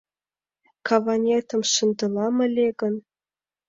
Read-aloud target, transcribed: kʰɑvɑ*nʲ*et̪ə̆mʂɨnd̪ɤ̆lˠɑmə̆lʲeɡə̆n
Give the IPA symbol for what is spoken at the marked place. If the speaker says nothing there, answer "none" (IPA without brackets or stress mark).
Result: nʲ